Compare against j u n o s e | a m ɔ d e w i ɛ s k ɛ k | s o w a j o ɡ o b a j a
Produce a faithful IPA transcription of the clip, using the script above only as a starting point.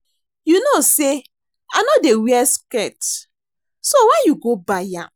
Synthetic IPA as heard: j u n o s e | a n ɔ d e w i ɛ s k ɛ t | s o w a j u ɡ o b a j a